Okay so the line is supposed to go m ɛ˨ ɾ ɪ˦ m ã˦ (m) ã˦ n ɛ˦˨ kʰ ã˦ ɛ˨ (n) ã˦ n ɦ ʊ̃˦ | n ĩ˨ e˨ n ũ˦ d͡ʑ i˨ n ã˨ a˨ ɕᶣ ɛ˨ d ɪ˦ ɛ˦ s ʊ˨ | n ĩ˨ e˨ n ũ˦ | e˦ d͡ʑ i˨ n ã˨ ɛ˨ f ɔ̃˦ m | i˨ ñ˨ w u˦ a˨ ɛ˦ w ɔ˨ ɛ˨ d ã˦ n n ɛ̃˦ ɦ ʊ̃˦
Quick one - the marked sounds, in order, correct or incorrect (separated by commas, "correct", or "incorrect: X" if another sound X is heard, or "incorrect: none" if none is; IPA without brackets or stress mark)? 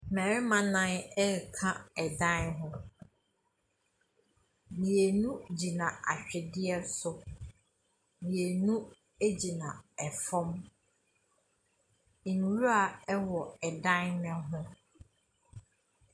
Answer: incorrect: n, incorrect: d